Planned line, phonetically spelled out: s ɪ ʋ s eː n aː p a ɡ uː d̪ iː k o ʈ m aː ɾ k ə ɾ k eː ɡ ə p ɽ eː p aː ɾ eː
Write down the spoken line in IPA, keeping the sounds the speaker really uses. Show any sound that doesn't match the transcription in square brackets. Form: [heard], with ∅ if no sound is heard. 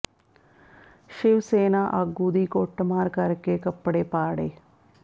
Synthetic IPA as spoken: [ʃ] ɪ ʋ s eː n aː [ʔ] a ɡ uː d̪ iː k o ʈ m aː ɾ k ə ɾ k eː [k] ə p ɽ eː p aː [ɽ] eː

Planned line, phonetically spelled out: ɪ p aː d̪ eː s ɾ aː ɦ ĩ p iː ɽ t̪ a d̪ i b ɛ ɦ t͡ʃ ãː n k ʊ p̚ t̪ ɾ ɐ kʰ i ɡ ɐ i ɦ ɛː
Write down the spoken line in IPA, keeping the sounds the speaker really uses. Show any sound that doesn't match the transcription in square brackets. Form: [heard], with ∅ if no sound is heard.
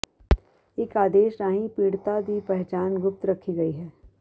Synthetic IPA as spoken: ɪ [k] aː d̪ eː [ʃ] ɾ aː ɦ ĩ p iː ɽ t̪ a d̪ i [p] ɛ ɦ t͡ʃ [aː] n [ɡ] ʊ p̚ t̪ ɾ ɐ kʰ i ɡ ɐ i ɦ ɛː

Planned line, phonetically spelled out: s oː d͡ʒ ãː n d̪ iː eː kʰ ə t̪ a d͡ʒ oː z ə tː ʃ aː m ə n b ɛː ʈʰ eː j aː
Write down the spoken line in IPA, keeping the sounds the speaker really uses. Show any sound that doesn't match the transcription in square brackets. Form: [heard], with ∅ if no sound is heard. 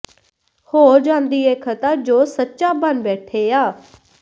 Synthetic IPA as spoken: [h] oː d͡ʒ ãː n d̪ iː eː kʰ ə t̪ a d͡ʒ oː [s] ə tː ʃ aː [b] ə n b ɛː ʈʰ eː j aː

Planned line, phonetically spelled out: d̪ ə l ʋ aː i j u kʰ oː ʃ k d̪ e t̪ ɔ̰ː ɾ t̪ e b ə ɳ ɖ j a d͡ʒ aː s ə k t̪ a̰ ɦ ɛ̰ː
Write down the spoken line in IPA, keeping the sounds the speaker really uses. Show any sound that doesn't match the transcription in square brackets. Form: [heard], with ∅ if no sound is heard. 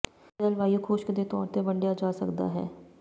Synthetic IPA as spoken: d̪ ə l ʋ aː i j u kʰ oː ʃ k d̪ e t̪ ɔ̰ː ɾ t̪ e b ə ɳ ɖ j a d͡ʒ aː s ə k [d̪] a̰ ɦ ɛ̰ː

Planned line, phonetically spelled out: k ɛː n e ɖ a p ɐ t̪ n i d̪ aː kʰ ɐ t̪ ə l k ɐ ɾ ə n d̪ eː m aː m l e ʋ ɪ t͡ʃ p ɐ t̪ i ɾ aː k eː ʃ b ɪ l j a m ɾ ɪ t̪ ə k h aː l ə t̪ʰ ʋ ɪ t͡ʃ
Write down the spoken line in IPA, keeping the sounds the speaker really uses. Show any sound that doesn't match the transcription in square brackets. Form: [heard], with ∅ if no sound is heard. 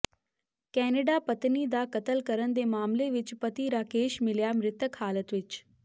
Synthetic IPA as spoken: k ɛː n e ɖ a p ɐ t̪ n i d̪ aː [k] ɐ t̪ ə l k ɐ ɾ ə n d̪ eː m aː m l e ʋ ɪ t͡ʃ p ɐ t̪ i ɾ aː k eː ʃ [m] ɪ l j a m ɾ ɪ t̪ ə k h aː l ə [t̪] ʋ ɪ t͡ʃ

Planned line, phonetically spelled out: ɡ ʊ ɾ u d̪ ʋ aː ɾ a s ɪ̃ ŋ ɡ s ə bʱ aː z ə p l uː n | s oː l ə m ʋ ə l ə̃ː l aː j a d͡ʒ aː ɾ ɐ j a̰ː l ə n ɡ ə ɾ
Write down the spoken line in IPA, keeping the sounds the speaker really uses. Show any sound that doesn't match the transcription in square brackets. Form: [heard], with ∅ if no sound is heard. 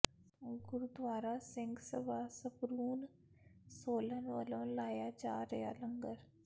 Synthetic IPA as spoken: ɡ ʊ ɾ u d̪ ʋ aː ɾ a s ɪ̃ ŋ ɡ s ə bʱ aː [s] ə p [ɾ] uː n | s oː l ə [n] ʋ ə l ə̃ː l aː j a d͡ʒ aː ɾ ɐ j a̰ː l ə [ŋ] ɡ ə ɾ

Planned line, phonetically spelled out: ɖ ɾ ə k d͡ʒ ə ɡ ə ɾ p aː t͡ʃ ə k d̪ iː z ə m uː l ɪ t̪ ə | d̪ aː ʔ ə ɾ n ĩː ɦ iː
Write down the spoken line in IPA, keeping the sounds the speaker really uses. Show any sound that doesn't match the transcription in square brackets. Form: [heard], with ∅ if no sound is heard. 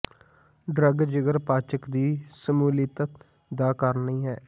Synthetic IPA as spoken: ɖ ɾ ə [ɡ] d͡ʒ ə ɡ ə ɾ p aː t͡ʃ ə k d̪ iː [s] ə m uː l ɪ t̪ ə | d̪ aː [k] ə ɾ n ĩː ɦ [ɛː]

